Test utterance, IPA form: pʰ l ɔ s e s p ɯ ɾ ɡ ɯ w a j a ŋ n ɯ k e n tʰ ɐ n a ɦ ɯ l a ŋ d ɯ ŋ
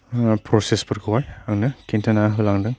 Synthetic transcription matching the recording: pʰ ɾ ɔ s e s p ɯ ɾ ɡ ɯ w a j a ŋ n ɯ k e n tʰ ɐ n a ɦ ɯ l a ŋ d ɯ ŋ